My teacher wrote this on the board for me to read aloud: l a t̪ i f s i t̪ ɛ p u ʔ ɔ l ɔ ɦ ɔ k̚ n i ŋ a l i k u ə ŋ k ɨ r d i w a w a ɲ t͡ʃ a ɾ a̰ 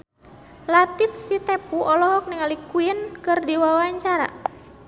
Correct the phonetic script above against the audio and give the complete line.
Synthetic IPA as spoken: l a t̪ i f s i t̪ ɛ p u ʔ ɔ l ɔ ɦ ɔ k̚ n i ŋ a l i k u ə n k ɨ r d i w a w a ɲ t͡ʃ a ɾ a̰